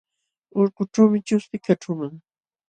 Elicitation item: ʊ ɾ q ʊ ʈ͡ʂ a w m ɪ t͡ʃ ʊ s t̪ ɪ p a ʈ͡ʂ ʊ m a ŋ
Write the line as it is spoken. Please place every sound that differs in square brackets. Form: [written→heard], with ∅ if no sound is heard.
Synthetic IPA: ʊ ɾ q ʊ ʈ͡ʂ a w m ɪ t͡ʃ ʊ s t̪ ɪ [p→k] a ʈ͡ʂ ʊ m a ŋ